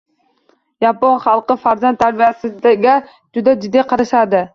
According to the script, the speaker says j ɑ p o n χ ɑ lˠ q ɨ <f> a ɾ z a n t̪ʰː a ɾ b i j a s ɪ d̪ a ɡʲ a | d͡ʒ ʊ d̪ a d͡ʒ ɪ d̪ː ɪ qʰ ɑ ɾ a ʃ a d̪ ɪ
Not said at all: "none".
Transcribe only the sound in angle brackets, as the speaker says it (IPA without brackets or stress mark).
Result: f